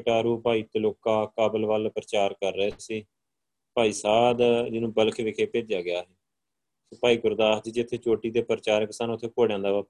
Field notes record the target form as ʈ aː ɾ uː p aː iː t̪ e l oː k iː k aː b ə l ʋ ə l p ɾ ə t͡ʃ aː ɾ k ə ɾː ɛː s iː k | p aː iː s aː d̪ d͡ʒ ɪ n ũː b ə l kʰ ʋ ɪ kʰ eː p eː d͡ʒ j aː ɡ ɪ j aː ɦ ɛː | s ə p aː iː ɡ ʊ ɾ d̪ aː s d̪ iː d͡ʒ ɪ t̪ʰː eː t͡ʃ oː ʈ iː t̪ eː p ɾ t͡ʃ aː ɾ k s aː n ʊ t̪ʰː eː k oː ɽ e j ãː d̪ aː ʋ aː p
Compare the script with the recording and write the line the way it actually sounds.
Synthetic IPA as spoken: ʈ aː ɾ uː p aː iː t̪ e l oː k aː k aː b ə l ʋ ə l p ɾ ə t͡ʃ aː ɾ k ə ɾː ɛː s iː | p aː iː s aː d̪ d͡ʒ ɪ n ũː b ə l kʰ ʋ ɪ kʰ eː p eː d͡ʒ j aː ɡ ɪ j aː ɦ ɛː | s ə p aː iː ɡ ʊ ɾ d̪ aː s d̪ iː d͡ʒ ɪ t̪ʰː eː t͡ʃ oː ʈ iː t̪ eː p ɾ t͡ʃ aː ɾ k s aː n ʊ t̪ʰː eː k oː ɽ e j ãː d̪ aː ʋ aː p